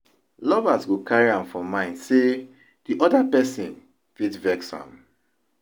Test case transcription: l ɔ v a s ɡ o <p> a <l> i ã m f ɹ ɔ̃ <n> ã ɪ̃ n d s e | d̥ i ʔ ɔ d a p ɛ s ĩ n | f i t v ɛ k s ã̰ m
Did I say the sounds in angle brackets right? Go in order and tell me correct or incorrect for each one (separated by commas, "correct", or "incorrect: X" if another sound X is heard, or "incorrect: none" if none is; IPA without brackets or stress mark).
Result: incorrect: k, incorrect: ɹ, incorrect: m